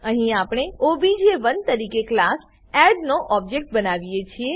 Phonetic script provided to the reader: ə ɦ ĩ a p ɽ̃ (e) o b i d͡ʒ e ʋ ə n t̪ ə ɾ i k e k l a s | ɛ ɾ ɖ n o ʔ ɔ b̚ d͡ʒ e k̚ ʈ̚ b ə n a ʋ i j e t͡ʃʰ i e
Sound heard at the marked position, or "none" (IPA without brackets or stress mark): e